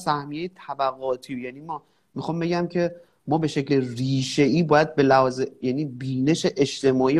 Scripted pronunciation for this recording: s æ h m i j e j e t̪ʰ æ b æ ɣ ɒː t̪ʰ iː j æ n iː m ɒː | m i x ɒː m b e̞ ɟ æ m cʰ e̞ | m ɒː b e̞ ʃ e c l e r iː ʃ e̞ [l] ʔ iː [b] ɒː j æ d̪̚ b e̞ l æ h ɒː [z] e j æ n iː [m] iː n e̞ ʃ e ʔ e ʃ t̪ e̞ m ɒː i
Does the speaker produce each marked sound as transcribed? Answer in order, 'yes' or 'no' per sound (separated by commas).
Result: no, yes, yes, no